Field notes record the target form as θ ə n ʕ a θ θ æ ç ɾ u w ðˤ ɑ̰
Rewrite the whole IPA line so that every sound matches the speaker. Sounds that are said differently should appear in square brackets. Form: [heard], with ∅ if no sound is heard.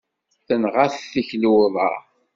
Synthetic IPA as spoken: θ ə n [ʁ] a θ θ [i] ç [l] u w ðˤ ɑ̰